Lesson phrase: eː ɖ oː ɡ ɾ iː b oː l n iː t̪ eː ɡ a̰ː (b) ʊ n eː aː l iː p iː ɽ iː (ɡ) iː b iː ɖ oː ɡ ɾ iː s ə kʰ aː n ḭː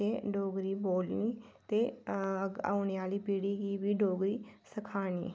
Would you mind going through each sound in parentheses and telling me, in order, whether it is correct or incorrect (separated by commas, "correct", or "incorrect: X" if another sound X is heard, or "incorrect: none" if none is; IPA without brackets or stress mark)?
incorrect: none, correct